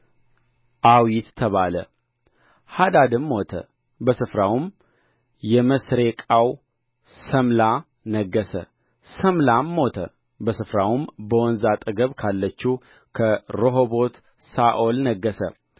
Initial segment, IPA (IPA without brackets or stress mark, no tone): ʔ